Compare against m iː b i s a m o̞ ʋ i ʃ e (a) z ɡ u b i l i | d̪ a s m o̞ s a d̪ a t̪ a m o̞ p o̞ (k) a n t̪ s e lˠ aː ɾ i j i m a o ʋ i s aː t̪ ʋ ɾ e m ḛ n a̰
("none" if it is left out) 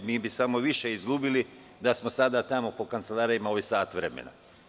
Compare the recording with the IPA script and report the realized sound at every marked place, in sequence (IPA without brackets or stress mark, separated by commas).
i, k